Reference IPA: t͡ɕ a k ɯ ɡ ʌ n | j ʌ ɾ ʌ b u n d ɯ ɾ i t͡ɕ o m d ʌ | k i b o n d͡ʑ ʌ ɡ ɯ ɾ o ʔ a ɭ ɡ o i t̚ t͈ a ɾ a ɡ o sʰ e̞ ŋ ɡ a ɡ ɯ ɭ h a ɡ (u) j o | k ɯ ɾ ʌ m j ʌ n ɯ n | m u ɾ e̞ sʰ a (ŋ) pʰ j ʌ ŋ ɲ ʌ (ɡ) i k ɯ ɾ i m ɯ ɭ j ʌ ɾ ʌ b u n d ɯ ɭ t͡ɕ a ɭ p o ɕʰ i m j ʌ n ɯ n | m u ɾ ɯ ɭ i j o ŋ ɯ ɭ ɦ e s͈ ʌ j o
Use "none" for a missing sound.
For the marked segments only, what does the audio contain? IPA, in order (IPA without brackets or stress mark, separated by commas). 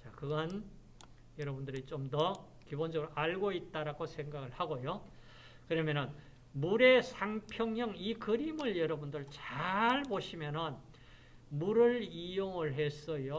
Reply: o, ŋ, ŋ